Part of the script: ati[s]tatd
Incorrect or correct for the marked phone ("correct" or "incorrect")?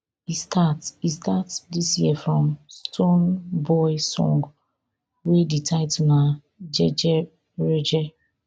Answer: correct